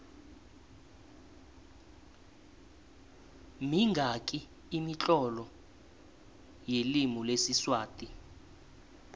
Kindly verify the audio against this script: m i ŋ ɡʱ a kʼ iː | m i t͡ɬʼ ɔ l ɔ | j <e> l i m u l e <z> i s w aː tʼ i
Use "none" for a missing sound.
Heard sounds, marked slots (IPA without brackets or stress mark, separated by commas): e, s